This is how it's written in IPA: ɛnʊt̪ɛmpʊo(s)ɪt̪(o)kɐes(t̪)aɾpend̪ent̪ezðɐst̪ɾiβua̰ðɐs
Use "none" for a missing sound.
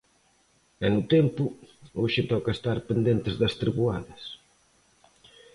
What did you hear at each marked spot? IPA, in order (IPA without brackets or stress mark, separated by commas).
ʃ, ɔ, t̪